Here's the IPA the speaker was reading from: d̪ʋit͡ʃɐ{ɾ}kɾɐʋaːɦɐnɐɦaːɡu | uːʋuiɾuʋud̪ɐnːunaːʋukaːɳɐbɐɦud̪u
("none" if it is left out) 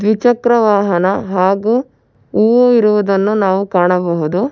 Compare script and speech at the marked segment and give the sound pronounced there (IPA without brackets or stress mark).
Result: none